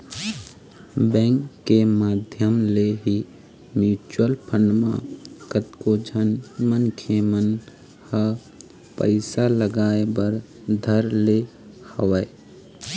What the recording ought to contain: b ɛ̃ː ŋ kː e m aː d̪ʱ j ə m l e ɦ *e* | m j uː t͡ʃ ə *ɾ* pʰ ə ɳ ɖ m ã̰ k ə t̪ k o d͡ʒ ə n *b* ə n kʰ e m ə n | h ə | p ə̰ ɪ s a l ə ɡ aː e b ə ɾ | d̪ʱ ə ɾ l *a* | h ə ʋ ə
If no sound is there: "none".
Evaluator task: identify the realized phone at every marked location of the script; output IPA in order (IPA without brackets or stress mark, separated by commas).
i, l, m, e